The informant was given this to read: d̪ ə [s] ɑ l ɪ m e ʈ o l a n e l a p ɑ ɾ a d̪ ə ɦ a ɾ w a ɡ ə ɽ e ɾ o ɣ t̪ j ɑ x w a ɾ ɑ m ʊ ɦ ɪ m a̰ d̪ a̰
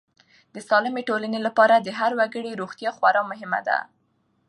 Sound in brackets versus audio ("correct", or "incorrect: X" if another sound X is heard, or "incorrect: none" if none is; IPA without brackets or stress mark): correct